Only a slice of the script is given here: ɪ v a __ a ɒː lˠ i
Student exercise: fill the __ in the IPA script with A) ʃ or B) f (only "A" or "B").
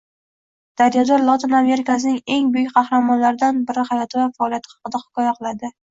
B